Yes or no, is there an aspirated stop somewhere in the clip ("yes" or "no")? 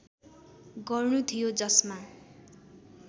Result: yes